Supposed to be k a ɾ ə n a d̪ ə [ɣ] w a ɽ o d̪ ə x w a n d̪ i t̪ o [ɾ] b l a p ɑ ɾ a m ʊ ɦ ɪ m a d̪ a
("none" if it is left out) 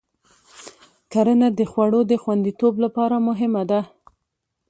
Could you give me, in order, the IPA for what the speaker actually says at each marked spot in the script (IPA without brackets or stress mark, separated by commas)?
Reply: x, none